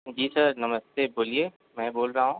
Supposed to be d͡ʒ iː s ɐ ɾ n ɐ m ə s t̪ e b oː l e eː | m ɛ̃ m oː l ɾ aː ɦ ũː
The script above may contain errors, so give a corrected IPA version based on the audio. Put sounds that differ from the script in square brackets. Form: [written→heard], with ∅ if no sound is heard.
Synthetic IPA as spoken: d͡ʒ iː s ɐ ɾ n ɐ m ə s t̪ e b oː l [e→i] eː | m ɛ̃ [m→b] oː l ɾ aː ɦ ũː